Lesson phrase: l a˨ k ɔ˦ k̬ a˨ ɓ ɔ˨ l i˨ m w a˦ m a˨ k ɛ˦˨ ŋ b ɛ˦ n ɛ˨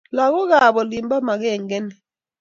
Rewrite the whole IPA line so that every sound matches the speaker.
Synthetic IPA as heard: l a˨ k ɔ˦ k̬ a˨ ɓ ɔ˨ l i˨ m b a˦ m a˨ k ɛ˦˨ ŋ ɡ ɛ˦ n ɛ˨